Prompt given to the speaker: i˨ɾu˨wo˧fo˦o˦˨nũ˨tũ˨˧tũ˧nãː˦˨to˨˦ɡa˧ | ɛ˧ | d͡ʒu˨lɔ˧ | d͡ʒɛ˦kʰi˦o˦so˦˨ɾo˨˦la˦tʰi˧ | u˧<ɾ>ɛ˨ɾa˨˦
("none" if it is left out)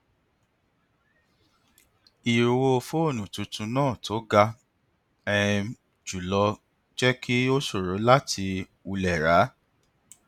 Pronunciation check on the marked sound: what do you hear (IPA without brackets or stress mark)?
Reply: l